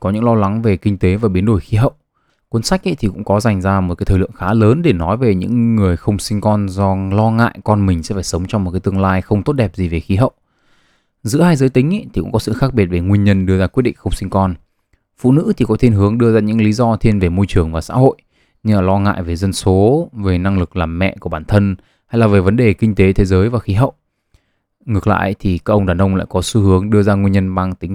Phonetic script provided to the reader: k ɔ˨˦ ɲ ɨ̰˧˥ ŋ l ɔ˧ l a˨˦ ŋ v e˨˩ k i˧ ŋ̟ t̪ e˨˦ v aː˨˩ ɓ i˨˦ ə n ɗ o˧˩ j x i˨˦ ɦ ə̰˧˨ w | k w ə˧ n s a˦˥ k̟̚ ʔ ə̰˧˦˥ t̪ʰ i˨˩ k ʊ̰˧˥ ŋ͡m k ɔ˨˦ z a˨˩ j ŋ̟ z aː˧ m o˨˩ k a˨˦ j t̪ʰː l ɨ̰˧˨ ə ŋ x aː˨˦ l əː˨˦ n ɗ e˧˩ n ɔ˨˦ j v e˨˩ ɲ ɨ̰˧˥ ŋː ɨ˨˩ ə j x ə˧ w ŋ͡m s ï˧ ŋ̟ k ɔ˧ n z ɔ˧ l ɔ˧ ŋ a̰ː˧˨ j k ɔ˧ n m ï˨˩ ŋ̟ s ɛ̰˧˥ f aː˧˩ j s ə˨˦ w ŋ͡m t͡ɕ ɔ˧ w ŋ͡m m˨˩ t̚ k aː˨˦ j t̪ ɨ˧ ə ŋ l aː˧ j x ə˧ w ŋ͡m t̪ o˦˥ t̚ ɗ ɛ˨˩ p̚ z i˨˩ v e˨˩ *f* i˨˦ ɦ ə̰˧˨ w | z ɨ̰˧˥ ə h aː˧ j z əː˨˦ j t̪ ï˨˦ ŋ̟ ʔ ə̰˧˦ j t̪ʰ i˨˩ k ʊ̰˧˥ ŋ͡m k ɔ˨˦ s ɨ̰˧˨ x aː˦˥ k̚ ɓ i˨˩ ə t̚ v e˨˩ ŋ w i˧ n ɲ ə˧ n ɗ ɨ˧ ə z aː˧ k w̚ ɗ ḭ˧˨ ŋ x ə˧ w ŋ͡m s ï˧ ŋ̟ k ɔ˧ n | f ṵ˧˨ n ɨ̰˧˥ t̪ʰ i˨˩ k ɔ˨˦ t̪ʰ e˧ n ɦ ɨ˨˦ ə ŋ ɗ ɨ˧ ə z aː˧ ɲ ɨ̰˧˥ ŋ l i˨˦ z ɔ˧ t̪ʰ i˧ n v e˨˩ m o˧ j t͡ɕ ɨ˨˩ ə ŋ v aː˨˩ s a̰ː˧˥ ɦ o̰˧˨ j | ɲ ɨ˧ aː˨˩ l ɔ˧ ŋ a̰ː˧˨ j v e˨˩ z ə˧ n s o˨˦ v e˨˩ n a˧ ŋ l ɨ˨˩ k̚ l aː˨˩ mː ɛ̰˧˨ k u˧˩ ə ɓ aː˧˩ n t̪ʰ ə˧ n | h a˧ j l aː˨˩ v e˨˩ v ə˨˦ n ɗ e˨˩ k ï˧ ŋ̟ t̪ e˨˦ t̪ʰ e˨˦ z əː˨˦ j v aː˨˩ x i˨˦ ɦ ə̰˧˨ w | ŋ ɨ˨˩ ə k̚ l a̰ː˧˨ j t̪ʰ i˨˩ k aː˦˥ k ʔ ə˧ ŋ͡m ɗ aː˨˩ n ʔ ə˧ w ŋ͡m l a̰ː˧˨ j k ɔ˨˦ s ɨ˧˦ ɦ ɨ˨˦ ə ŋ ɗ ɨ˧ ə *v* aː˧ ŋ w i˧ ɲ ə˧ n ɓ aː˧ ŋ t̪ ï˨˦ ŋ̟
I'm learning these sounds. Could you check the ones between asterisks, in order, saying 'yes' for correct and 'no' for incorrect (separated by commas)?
no, no